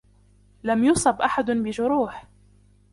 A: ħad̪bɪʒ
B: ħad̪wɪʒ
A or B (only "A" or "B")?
A